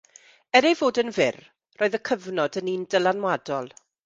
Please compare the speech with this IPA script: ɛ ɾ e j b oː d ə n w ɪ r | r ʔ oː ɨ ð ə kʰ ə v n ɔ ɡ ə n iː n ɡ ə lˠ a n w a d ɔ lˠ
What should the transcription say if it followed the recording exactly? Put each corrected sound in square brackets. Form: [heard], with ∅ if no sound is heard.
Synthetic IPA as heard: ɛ ɾ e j [v] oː d ə n [v] ɪ r | r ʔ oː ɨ ð ə kʰ ə v n ɔ [d] ə n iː n [d] ə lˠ a n w a d ɔ lˠ